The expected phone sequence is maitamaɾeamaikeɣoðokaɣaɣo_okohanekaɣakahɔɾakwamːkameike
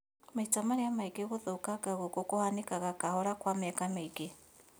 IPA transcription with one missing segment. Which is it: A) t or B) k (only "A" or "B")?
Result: B